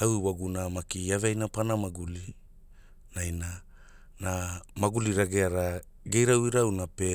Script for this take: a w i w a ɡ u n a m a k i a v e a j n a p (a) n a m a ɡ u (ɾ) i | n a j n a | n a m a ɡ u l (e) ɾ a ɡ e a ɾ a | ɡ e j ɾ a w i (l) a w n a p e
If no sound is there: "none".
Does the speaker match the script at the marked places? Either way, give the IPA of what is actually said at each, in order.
a, l, i, ɾ

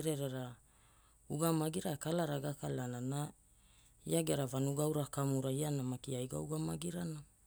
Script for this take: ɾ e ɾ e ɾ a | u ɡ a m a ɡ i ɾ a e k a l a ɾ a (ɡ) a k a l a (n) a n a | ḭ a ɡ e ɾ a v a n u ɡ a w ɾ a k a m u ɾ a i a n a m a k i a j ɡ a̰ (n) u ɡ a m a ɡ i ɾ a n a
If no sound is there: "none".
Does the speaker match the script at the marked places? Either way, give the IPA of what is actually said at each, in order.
ɡ, n, none

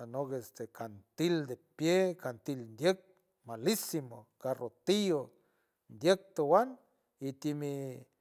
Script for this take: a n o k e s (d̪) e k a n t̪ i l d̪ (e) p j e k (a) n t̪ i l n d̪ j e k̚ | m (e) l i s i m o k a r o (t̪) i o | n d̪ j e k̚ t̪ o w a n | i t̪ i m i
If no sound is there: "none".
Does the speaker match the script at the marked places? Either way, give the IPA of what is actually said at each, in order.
t̪, e, a, a, t̪

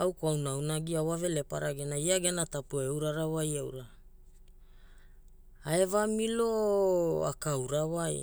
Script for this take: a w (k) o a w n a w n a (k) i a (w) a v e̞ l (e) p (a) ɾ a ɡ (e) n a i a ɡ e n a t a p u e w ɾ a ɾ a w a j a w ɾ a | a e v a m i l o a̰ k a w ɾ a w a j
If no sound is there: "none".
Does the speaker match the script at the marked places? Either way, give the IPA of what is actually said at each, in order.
k, ɡ, w, e, a, e

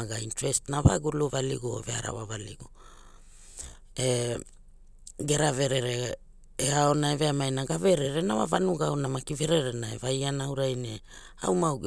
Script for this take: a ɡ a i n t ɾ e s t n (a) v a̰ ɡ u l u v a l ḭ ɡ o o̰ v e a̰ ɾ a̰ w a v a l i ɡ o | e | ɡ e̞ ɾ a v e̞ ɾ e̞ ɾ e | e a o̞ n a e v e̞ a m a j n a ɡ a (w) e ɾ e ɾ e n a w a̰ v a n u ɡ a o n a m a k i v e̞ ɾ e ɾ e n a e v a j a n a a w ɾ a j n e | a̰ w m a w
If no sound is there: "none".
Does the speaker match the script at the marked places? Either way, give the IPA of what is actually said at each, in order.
a, v

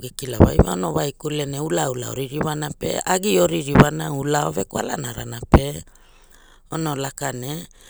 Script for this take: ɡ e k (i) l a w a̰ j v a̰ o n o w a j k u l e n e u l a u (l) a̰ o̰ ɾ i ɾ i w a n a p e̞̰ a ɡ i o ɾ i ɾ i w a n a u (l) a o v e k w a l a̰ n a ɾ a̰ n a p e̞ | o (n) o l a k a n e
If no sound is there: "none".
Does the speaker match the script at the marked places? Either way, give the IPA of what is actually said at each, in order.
i, l, l, n

